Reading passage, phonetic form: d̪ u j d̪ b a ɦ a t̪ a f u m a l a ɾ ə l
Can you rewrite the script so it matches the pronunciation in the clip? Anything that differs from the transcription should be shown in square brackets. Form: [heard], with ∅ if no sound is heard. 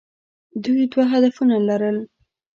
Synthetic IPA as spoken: d̪ u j d̪ [w] a ɦ a [d̪] a f u [n] a l a ɾ ə l